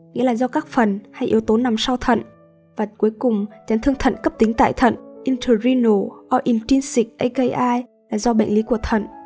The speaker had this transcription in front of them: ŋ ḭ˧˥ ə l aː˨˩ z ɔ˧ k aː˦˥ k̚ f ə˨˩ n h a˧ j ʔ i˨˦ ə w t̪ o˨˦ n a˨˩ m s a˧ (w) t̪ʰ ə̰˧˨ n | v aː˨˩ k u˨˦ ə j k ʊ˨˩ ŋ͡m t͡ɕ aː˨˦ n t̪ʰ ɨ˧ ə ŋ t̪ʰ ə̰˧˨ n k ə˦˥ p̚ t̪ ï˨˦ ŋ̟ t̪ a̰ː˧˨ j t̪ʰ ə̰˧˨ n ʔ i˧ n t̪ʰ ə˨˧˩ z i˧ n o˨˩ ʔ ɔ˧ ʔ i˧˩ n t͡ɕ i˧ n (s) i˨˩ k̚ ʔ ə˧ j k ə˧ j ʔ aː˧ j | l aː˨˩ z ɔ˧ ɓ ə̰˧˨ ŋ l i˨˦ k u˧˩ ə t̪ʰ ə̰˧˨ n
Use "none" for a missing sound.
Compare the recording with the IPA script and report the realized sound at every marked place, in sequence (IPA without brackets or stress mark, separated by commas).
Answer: w, s